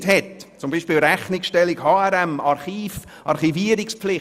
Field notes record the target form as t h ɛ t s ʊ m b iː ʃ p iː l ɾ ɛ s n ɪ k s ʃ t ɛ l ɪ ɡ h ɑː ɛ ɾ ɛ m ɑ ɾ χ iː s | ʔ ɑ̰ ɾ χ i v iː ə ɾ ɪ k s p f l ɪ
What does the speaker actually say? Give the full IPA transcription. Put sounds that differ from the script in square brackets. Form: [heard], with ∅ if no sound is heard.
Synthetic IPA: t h ɛ t [t͡s] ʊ m b iː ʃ p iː l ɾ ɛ [χ] n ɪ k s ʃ t ɛ l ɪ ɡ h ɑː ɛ ɾ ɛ m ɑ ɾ χ iː [f] | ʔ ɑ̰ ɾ χ i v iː ə ɾ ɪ k s p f l ɪ